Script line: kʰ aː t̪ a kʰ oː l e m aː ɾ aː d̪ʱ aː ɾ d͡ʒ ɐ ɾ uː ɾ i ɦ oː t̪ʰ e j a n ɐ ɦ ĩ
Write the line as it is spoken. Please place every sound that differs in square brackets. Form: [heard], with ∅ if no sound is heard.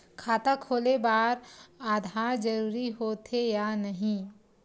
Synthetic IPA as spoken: kʰ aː t̪ a kʰ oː l e [b] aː ɾ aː d̪ʱ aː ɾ d͡ʒ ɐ ɾ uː ɾ i ɦ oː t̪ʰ e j a n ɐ ɦ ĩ